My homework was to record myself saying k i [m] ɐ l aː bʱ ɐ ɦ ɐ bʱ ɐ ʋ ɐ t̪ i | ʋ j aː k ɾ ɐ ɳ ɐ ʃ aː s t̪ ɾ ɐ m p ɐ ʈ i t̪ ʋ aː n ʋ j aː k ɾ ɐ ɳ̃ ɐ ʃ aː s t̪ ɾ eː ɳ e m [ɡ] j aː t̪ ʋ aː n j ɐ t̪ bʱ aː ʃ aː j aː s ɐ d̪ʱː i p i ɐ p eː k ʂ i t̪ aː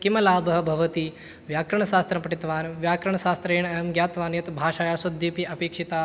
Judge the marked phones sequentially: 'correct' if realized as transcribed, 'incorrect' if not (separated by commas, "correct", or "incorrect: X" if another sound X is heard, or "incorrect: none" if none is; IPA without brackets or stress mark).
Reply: correct, correct